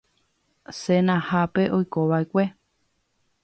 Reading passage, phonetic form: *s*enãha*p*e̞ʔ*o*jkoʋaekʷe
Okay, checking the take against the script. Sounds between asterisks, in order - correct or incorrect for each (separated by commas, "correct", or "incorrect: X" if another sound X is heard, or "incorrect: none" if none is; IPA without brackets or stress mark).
correct, correct, correct